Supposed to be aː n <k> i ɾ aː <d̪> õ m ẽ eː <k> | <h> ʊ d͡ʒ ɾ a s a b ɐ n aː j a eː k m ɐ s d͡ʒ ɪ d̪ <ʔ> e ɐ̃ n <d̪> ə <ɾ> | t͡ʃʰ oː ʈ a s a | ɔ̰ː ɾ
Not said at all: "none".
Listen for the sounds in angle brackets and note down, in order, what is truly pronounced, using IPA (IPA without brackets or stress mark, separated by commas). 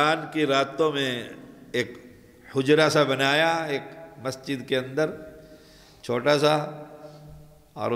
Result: k, t̪, k, h, k, d̪, ɾ